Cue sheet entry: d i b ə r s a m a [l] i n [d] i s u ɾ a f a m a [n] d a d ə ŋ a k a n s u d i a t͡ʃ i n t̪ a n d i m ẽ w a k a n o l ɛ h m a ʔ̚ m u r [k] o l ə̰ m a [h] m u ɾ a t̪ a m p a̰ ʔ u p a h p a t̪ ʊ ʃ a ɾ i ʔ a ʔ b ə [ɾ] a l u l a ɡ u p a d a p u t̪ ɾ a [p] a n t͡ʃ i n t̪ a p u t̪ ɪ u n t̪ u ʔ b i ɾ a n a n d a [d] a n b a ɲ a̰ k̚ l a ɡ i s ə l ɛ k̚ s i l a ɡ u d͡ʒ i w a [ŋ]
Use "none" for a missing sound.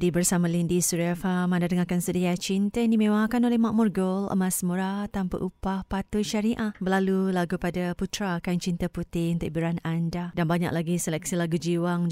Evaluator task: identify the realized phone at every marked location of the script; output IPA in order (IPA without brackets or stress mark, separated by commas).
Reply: l, d, n, ɡ, s, l, k, d, ŋ